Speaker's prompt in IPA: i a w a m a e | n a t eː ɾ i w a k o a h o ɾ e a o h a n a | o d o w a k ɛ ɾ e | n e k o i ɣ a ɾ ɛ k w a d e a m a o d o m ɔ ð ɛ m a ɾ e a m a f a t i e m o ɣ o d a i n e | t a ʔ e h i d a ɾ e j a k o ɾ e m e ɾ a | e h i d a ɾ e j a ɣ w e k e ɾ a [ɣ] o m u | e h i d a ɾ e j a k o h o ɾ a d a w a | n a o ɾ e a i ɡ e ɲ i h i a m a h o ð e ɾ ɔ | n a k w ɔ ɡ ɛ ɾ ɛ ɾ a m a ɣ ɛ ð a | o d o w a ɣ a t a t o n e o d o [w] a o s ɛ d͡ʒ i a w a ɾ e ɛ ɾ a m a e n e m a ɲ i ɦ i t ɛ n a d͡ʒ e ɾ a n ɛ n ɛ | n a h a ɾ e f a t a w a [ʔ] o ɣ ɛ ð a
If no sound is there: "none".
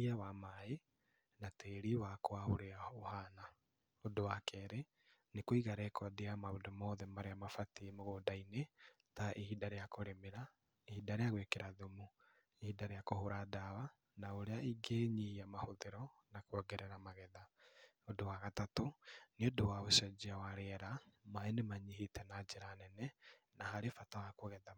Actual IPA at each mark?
ð, w, k

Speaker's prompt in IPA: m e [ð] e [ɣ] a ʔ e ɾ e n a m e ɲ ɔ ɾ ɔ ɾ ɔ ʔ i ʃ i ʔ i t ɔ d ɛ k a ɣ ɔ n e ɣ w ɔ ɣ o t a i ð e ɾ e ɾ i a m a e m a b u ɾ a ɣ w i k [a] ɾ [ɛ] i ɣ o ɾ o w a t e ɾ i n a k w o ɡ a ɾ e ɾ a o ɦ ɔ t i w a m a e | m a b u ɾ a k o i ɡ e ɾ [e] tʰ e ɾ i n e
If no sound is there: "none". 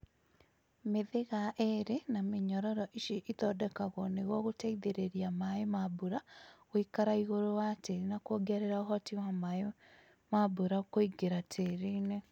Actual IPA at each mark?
ð, ɣ, a, a, a

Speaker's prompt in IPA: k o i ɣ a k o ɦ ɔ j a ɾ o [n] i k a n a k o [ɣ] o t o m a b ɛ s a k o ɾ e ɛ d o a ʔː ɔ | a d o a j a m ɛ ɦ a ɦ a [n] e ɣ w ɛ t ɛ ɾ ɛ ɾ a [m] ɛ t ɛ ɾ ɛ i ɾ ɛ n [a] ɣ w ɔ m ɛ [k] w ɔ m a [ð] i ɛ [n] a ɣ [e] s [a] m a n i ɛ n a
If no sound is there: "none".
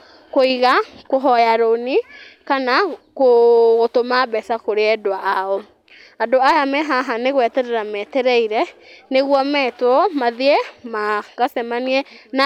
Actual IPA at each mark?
n, ɣ, n, m, e, t, ð, m, a, ɛ

